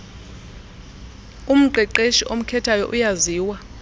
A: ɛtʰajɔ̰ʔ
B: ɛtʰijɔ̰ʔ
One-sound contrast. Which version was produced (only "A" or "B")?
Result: A